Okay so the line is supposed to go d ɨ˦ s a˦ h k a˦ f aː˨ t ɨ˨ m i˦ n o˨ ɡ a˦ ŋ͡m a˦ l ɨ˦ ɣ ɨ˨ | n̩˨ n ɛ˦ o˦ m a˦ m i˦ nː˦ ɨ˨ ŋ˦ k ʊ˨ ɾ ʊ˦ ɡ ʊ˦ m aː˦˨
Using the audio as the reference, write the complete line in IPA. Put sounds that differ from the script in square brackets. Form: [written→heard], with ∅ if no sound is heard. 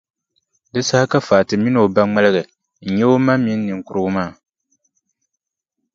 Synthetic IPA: d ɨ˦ s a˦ h k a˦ f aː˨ t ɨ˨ m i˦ n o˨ [ɡ→b] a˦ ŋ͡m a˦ l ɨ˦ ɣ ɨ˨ | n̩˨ [n→ɲ] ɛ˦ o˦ m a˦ m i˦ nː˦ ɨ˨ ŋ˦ k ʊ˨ ɾ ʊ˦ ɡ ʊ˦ m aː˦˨